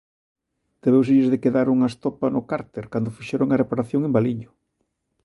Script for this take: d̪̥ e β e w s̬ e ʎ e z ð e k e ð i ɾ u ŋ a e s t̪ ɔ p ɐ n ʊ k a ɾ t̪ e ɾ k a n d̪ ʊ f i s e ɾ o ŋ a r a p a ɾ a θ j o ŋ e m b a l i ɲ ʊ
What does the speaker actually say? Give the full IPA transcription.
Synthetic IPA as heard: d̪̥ e β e w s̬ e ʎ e z ð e k e ð a ɾ u ŋ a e s t̪ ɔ p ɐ n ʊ k a ɾ t̪ e ɾ k a n d̪ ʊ f i ʃ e ɾ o ŋ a r e p a ɾ a θ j o ŋ e m b a l i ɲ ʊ